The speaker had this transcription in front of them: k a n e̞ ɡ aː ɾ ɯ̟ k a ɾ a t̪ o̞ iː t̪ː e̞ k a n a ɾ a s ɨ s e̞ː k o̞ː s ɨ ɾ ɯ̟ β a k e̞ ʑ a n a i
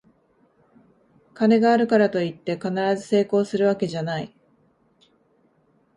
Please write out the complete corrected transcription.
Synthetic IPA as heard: k a n e̞ ɡ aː ɾ ɯ̟ k a ɾ a t̪ o̞ i t̪ː e̞ k a n a ɾ a z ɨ s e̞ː k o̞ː s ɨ ɾ ɯ̟ β a k e̞ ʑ a n a i